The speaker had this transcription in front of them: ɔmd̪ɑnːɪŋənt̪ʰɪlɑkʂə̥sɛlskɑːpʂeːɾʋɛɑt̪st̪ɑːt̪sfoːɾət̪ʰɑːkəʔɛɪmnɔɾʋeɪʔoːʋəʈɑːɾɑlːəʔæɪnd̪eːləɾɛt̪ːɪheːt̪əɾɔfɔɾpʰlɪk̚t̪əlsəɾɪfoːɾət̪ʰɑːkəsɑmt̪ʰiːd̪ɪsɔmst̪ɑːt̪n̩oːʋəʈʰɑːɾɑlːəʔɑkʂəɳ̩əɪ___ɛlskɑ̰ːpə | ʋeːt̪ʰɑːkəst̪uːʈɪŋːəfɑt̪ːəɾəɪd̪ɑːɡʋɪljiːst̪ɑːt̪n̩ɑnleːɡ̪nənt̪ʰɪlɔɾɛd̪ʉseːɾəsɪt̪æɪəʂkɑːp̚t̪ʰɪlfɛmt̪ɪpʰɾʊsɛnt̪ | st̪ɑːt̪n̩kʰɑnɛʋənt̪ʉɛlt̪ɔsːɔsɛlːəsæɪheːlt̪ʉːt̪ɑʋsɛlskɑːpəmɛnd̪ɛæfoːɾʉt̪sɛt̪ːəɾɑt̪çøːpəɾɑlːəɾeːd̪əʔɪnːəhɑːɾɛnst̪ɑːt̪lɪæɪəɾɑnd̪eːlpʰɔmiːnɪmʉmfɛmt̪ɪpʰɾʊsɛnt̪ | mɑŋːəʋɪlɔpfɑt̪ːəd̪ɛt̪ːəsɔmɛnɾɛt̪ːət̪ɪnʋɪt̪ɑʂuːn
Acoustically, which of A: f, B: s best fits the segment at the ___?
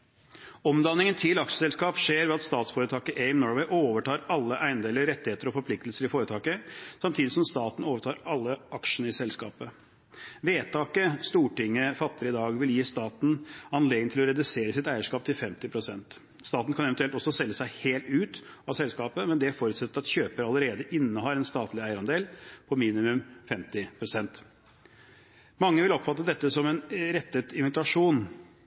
B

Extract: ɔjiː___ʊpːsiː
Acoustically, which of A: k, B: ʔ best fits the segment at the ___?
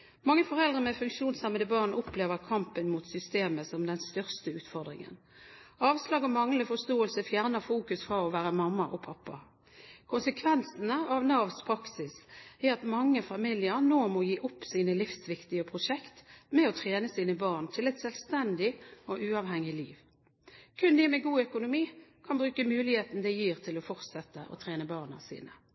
B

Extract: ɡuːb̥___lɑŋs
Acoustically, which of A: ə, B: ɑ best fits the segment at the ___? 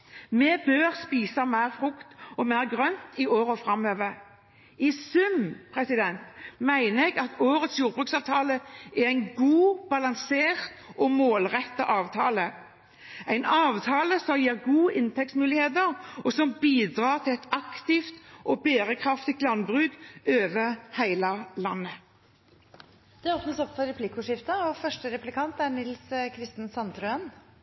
B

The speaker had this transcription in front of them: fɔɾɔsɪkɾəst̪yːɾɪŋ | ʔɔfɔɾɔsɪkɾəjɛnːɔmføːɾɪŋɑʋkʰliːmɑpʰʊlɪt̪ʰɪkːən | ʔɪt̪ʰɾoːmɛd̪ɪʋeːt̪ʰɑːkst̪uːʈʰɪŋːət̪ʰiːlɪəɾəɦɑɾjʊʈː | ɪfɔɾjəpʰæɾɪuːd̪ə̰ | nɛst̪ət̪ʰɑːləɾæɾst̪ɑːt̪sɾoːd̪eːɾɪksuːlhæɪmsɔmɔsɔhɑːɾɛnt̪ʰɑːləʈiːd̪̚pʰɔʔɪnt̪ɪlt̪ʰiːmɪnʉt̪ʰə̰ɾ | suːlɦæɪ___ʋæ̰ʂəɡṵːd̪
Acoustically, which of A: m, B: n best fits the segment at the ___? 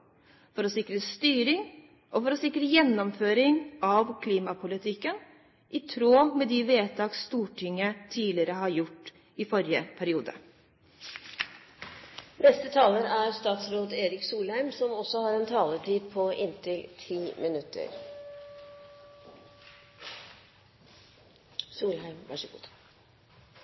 A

